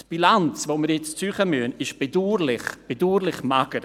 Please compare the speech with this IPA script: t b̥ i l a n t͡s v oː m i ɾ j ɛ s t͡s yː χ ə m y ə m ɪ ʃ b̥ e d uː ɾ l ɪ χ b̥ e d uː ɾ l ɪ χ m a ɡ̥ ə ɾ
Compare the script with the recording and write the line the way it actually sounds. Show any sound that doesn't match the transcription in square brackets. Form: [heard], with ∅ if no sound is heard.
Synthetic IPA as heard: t b̥ i l a n t͡s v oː m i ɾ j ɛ [t͡s] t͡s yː χ ə m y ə [n] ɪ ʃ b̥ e d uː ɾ l ɪ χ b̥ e d uː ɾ l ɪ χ m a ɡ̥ ə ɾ